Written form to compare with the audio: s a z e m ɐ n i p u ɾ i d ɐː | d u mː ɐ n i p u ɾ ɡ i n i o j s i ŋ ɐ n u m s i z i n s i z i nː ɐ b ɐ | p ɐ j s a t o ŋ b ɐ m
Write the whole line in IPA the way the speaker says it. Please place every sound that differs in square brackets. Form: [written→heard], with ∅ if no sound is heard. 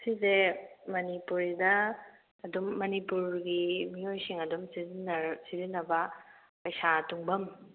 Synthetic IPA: s [a→i] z e m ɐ n i p u ɾ i d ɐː | d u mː ɐ n i p u ɾ ɡ i [n→m] i o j s i ŋ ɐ [n→d] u m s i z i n s i z i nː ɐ b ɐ | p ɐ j s a t [o→u] ŋ b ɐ m